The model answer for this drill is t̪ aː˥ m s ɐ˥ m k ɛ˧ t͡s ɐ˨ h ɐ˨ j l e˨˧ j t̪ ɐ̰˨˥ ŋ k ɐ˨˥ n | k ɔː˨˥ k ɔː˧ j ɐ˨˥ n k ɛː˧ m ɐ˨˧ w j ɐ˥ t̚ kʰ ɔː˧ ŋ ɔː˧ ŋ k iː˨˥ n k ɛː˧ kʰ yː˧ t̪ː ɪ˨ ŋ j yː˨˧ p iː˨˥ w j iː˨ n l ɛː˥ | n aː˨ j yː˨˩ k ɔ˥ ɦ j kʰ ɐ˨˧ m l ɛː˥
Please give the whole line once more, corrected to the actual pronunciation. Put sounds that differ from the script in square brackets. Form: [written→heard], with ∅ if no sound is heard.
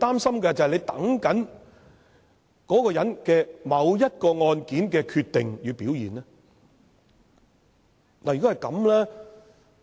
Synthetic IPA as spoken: t̪ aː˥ m s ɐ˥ m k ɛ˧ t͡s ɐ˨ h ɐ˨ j l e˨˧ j t̪ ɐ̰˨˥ ŋ k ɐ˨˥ n | k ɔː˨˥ k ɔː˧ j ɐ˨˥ n k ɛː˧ m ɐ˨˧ w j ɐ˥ t̚ [kʰ→k] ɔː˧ ŋ ɔː˧ [ŋ→n] k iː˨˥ n k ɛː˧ kʰ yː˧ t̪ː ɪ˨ ŋ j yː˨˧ p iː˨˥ w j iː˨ n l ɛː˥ | n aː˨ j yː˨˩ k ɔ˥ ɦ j [kʰ→k] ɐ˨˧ m l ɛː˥